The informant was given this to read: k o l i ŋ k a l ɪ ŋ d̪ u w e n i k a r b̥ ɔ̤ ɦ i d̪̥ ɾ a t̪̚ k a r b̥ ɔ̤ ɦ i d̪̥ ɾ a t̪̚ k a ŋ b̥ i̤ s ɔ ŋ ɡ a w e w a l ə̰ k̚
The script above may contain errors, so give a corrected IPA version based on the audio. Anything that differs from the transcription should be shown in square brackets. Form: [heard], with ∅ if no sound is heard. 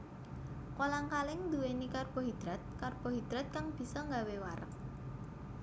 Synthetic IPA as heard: k o l [a] ŋ k a l ɪ ŋ d̪ u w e n i k a r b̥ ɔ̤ ɦ i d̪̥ ɾ a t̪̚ k a r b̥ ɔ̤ ɦ i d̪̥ ɾ a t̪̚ k a ŋ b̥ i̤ s ɔ ŋ ɡ a w e w a [ɾ] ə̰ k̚